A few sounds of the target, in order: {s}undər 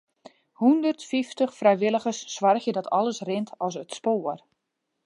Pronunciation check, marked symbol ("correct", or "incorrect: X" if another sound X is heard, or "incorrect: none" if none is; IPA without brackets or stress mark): incorrect: h